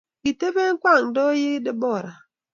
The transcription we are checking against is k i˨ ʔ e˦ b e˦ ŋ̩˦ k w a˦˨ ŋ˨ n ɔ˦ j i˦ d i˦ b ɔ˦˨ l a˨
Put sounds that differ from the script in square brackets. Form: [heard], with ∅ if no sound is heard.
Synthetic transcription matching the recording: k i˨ [t] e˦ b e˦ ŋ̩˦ k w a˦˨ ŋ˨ [d] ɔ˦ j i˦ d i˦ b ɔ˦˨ [ɾ] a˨